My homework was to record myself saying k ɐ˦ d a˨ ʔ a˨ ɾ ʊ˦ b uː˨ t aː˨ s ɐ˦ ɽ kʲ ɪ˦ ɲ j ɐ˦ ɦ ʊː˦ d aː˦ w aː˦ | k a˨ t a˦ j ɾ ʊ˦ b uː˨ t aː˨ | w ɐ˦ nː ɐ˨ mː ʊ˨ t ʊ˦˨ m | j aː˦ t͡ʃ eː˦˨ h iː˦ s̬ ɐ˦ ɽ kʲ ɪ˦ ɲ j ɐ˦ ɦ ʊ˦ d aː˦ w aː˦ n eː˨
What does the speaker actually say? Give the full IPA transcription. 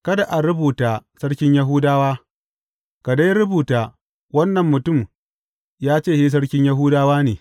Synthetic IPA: k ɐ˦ d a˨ ʔ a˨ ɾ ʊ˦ b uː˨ t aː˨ s ɐ˦ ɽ kʲ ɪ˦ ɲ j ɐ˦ ɦ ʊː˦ d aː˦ w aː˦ | k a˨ d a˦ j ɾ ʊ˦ b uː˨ t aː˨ | w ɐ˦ nː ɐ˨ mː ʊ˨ t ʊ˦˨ m | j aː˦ t͡ʃ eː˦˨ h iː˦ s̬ ɐ˦ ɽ kʲ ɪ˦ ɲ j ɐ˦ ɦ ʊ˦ d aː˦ w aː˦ n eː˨